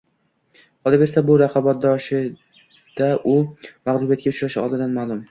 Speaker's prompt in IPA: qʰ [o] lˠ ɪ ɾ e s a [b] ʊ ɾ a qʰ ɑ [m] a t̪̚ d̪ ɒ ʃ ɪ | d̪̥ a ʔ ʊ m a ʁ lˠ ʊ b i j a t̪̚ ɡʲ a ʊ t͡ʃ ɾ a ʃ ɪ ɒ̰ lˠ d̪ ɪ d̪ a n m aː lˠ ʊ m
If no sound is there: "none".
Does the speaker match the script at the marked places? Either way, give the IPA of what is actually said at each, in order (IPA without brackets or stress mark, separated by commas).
ɒ, b, b